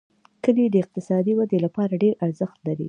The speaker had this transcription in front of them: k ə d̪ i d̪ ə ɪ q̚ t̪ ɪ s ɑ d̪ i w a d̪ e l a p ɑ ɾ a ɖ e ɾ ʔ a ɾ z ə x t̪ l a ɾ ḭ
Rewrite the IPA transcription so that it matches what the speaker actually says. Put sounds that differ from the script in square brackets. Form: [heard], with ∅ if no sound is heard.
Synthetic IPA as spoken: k ə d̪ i d̪ ə ɪ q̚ t̪ ɪ s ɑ d̪ i w a d̪ e l a p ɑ ɾ a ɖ e ɾ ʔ a ɾ z ə x t̪ l a ɾ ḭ